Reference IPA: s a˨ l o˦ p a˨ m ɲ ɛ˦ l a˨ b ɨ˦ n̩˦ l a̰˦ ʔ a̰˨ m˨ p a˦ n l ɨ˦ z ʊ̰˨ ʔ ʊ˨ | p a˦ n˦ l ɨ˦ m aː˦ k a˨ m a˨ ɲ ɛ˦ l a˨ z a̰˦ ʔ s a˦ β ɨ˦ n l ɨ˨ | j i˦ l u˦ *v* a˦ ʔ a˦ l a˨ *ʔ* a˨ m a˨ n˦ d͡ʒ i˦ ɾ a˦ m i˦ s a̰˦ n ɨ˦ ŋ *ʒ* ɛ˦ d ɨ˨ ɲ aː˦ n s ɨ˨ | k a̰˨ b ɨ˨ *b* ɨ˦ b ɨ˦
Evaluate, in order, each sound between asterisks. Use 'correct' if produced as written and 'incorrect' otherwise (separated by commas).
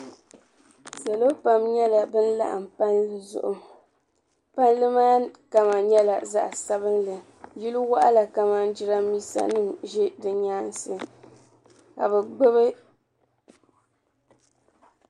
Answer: incorrect, incorrect, correct, incorrect